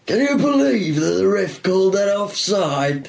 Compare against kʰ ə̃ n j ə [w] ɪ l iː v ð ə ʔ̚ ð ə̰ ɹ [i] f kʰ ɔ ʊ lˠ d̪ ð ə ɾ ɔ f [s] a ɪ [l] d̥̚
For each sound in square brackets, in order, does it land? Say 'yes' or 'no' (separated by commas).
no, no, yes, no